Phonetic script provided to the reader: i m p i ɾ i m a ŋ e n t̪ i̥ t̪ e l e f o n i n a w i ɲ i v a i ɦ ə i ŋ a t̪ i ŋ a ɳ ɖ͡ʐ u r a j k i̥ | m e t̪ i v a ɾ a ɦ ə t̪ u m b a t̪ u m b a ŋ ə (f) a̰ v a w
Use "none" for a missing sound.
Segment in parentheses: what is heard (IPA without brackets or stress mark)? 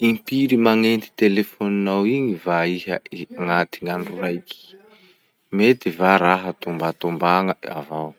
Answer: none